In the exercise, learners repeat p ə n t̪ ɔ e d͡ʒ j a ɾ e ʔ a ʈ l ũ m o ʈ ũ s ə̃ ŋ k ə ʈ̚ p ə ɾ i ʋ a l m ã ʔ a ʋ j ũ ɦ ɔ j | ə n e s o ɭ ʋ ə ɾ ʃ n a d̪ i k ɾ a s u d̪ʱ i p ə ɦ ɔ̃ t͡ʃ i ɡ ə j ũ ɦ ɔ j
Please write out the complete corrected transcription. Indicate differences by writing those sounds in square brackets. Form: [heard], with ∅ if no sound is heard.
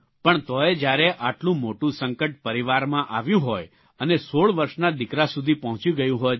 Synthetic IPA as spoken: p ə [ɳ] t̪ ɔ e d͡ʒ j a ɾ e ʔ a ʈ l ũ m o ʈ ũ s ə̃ ŋ k ə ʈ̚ p ə ɾ i ʋ a [ɾ] m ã ʔ a ʋ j ũ ɦ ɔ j | ə n e s o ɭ ʋ ə ɾ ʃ n a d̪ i k ɾ a s u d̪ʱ i p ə ɦ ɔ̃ t͡ʃ i ɡ ə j ũ ɦ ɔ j